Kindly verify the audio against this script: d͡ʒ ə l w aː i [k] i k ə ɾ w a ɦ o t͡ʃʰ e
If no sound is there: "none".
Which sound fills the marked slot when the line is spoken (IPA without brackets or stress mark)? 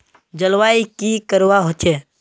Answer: k